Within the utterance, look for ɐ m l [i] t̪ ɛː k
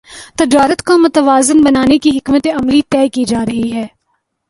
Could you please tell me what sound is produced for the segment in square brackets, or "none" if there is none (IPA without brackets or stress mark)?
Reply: i